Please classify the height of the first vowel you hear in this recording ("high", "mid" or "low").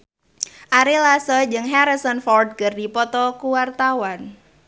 low